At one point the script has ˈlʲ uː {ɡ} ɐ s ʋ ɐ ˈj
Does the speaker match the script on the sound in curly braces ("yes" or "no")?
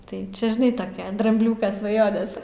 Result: no